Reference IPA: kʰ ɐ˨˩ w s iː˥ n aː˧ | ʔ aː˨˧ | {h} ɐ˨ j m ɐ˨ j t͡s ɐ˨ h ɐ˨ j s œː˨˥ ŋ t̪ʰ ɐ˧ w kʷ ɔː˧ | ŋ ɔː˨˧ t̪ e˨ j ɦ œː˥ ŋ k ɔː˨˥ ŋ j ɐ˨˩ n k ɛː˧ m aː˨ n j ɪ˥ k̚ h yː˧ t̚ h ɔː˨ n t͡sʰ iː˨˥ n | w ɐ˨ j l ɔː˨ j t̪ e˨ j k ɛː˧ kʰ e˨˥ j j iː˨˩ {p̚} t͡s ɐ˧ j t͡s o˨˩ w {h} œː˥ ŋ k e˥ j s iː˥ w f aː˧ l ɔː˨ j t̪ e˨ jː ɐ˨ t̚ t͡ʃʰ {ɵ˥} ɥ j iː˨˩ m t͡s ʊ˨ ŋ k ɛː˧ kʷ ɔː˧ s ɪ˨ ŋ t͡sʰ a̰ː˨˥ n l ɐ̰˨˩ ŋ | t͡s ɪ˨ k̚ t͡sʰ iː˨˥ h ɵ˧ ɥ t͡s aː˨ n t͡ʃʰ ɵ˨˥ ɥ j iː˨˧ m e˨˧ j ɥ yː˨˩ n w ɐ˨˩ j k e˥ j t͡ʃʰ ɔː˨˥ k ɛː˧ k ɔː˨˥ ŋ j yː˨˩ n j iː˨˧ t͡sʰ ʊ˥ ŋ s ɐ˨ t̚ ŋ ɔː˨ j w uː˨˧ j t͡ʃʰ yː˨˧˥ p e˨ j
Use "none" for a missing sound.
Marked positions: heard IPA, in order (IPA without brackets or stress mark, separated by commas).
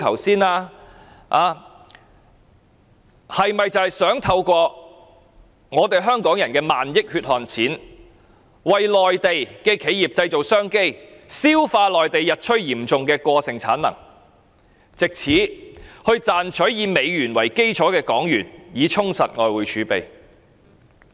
h, p̚, s, ɵ˥